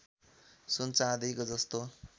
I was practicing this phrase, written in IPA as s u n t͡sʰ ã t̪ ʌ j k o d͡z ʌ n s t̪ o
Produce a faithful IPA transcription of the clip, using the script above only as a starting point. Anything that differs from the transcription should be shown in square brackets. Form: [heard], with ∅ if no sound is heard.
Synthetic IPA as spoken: s u n [t͡s] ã [d̪] ʌ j k o d͡z ʌ [∅] s t̪ o